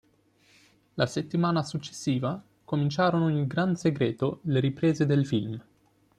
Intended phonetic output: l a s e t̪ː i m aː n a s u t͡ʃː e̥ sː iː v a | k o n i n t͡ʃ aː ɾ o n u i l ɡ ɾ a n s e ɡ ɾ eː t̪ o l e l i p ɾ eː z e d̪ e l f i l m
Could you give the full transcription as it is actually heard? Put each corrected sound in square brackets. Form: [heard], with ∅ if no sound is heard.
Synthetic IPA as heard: l a s e t̪ː i m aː n a s u t͡ʃː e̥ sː iː v a | k o [m] i n t͡ʃ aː ɾ o n [o] i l ɡ ɾ a n s e ɡ ɾ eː t̪ o l e [ɾ] i p ɾ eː z e d̪ e l f i l m